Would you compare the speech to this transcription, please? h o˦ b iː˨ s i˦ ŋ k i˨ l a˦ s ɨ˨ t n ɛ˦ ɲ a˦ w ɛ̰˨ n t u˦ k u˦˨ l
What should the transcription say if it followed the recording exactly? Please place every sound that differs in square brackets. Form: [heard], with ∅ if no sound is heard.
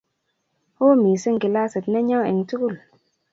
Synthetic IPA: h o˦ [m] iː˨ s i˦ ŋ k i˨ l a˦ s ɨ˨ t n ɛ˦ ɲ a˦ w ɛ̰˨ [ŋ] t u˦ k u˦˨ l